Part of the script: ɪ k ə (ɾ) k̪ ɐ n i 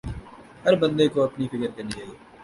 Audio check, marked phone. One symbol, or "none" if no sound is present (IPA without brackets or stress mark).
ɾ